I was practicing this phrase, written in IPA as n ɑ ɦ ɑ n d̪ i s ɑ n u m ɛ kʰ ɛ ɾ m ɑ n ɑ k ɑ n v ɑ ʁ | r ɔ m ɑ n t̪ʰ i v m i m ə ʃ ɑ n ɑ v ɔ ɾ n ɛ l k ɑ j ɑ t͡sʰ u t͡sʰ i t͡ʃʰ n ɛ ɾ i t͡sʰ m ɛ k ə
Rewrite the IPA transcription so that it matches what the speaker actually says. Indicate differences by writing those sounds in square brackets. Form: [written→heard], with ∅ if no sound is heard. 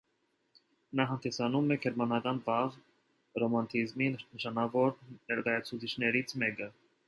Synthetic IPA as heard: n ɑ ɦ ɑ n d̪ i s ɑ n u m ɛ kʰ ɛ ɾ m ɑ n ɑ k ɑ n v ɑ ʁ | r ɔ m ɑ n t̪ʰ i [v→z] m i [m→n] ə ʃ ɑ n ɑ v ɔ ɾ n ɛ [l→ɾ] k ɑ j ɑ t͡sʰ u t͡sʰ i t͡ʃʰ n ɛ ɾ i t͡sʰ m ɛ k ə